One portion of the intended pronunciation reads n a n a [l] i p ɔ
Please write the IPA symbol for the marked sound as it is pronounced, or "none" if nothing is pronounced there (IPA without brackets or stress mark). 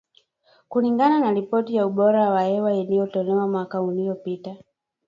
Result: ɾ